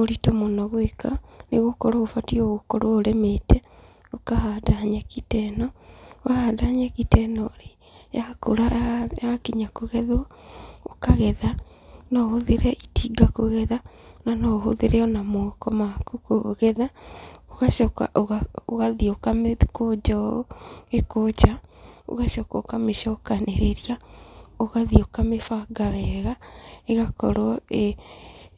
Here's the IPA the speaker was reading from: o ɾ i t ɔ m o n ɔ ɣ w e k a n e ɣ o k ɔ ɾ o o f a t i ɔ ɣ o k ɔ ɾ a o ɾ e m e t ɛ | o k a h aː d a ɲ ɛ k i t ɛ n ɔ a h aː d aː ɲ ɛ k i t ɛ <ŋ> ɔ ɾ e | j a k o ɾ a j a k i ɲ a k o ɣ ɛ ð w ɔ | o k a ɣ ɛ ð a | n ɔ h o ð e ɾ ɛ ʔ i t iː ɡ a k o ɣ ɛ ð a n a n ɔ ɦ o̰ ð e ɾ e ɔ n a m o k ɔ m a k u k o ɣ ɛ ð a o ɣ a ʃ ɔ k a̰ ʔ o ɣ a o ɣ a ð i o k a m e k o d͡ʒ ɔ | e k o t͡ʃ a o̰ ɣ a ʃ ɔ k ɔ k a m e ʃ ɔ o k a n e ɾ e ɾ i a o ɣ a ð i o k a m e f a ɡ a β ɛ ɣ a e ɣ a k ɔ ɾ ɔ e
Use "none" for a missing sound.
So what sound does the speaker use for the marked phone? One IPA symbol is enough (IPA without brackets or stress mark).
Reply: n